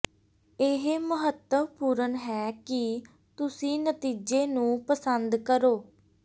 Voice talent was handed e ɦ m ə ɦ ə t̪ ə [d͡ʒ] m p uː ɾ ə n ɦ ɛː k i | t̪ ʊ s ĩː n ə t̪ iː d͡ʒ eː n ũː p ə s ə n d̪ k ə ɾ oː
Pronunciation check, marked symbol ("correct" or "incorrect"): incorrect